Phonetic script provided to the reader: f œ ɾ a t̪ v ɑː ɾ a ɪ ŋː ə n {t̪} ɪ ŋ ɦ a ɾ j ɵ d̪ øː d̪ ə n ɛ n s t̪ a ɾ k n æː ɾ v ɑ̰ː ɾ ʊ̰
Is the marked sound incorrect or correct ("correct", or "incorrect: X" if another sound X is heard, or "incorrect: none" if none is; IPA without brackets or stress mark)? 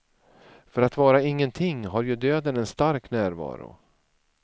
incorrect: t̪ʰ